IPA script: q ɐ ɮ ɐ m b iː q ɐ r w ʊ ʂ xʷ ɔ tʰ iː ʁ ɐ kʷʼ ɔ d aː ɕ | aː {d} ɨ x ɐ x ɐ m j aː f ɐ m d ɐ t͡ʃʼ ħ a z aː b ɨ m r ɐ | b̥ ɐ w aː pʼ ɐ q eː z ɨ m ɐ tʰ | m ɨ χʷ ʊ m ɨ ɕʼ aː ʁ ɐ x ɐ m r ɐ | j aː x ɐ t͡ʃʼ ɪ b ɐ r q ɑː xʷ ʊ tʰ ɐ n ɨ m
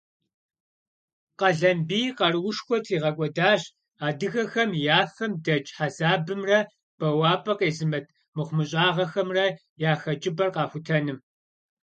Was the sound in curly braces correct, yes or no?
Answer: yes